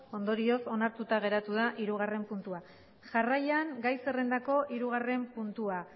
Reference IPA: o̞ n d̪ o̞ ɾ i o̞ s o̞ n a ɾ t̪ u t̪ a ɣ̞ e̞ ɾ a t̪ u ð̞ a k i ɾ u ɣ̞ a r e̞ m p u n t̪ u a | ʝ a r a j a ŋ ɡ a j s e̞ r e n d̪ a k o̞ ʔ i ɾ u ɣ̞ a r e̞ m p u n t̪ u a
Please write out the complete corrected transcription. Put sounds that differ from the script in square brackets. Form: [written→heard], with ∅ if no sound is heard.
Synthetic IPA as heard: o̞ n d̪ o̞ ɾ i o̞ s o̞ n a ɾ t̪ u t̪ a ɣ̞ e̞ ɾ a t̪ u ð̞ a [k→ʔ] i ɾ u ɣ̞ a r e̞ m p u n t̪ u a | ʝ a r a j a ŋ ɡ a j s e̞ r e n d̪ a k o̞ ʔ i ɾ u ɣ̞ a r e̞ m p u n t̪ u a